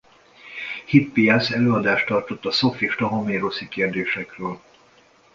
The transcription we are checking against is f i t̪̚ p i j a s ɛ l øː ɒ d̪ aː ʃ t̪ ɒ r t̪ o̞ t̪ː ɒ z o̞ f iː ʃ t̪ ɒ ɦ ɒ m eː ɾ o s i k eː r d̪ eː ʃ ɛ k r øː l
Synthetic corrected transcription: h i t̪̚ p i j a s ɛ l øː ɒ d̪ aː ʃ t̪ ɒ r t̪ o̞ t̪ː ɒ s o̞ f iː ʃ t̪ ɒ ɦ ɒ m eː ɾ o s i k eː r d̪ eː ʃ ɛ k r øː l